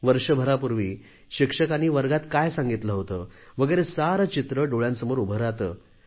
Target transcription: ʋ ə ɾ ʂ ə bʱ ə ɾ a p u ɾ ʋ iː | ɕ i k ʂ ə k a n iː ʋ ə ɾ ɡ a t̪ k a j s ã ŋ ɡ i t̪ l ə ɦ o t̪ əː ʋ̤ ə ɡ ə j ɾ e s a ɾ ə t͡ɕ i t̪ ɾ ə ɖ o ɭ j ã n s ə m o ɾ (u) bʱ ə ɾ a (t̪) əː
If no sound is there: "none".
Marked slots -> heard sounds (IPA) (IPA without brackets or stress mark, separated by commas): u, t̪